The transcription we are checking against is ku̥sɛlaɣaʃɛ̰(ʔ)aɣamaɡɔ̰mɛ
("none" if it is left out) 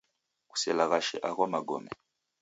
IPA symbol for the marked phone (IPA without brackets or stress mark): ʔ